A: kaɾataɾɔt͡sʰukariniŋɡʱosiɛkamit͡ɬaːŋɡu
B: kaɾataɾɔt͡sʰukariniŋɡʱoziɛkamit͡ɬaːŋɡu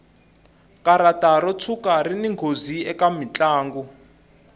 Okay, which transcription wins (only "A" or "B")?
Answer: B